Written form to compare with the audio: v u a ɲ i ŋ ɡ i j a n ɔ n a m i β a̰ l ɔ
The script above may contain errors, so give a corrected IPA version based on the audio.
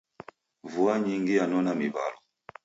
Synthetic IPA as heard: v u a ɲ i ŋ ɡ i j a n ɔ n a m i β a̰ l ɔ